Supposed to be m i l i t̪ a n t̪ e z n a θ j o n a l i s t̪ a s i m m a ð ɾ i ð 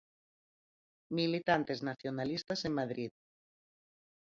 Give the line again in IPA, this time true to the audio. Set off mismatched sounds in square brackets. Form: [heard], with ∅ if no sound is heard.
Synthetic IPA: m i l i t̪ a n t̪ e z n a θ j o n a l i s t̪ a s [e] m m a ð ɾ i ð